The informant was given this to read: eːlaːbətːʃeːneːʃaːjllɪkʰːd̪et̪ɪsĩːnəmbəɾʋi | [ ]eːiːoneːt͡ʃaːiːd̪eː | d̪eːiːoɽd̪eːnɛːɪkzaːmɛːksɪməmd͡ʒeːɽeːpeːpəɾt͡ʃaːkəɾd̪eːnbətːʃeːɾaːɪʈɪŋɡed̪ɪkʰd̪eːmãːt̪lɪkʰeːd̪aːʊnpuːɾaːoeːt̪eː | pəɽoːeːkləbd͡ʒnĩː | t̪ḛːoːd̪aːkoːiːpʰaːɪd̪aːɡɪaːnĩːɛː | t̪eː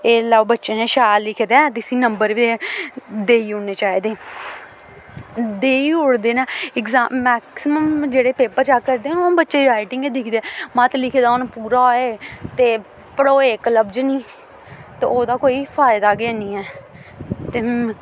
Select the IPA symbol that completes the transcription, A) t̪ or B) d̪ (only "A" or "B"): B